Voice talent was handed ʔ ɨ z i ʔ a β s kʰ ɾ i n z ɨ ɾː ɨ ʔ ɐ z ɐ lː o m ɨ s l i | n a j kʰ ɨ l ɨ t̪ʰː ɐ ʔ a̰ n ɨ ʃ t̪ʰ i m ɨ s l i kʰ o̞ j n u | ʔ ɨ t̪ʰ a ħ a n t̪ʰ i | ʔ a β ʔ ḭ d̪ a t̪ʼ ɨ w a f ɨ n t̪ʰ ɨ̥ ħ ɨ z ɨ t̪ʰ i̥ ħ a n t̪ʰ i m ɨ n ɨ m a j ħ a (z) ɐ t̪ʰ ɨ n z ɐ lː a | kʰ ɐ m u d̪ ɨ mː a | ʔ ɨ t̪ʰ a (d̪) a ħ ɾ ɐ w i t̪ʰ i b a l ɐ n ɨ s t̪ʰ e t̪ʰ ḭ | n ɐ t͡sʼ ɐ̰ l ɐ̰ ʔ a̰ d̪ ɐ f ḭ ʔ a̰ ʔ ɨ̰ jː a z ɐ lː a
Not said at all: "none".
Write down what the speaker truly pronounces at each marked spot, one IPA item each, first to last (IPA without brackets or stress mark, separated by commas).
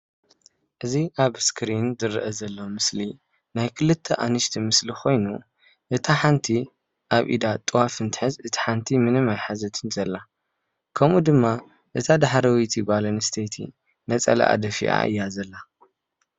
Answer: z, d̪